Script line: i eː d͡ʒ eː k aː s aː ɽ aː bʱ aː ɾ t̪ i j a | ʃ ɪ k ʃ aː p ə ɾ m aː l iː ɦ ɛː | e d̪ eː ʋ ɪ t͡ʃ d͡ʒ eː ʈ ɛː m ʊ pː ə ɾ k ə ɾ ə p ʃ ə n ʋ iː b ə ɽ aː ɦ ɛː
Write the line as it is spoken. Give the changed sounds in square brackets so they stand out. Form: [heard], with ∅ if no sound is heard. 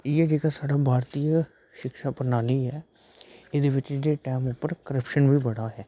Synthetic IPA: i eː d͡ʒ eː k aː s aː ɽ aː bʱ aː ɾ t̪ i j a | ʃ ɪ k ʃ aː p ə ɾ [n] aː l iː ɦ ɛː | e d̪ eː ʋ ɪ t͡ʃ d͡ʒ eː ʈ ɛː m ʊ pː ə ɾ k ə ɾ ə p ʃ ə n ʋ iː b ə ɽ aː ɦ ɛː